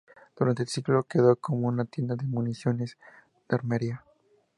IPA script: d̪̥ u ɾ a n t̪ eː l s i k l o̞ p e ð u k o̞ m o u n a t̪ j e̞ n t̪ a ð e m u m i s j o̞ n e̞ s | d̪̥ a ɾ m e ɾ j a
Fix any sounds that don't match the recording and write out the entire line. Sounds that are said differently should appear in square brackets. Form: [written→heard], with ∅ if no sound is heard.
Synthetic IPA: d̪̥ u ɾ a n t̪ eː l s i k l o̞ [p→k] e ð [u→o] k o̞ m o u n a t̪ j e̞ n [t̪→d̪] a ð e m u [m→n] i s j o̞ n e̞ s | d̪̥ a ɾ m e ɾ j a